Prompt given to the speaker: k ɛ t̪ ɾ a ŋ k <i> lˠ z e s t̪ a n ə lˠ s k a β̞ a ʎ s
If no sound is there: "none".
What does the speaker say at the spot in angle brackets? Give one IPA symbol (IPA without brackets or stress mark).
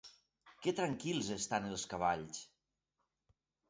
i